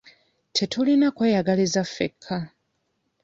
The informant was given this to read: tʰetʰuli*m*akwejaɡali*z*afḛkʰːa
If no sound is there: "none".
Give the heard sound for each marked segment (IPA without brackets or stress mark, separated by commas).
n, z